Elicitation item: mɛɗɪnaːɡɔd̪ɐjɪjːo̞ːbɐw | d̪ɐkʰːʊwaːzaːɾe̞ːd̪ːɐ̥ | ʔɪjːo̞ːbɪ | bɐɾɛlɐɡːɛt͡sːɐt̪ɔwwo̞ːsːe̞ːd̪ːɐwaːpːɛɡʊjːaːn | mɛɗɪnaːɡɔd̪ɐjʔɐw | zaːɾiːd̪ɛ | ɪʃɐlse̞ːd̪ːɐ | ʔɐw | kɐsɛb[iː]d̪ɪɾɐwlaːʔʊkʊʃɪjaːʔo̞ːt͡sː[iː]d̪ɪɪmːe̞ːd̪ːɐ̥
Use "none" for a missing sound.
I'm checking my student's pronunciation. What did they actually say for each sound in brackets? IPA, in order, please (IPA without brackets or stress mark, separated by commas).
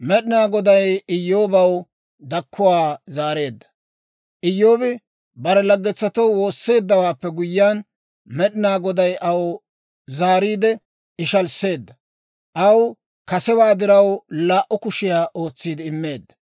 aː, iː